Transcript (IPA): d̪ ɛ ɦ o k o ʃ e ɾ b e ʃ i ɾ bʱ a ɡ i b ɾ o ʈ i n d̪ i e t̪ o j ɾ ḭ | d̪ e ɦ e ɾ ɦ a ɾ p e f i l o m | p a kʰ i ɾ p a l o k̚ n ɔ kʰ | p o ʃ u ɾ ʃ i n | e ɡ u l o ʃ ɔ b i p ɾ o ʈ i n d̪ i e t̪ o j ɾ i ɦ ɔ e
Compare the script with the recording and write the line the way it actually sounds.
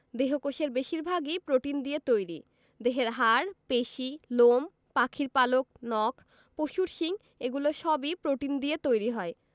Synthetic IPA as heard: d̪ e ɦ o k o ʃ e ɾ b e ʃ i ɾ bʱ a ɡ i p ɾ o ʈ i n d̪ i e t̪ o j ɾ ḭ | d̪ e ɦ e ɾ ɦ a ɾ p e ʃ i l o m | p a kʰ i ɾ p a l o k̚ n ɔ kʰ | p o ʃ u ɾ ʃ i ŋ | e ɡ u l o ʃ ɔ b i p ɾ o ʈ i n d̪ i e t̪ o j ɾ i ɦ ɔ e